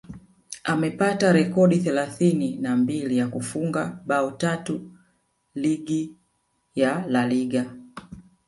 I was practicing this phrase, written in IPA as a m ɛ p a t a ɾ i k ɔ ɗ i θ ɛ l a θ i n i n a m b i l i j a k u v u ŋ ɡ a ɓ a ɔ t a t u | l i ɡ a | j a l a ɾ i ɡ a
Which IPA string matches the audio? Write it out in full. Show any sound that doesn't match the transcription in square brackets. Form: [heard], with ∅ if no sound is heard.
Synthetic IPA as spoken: a m ɛ p a t a ɾ [ɛ] k ɔ ɗ i θ ɛ l a θ i n i n a m b i l i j a k u [f] u ŋ ɡ a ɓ a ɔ t a t u | l i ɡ [i] | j a l a [l] i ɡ a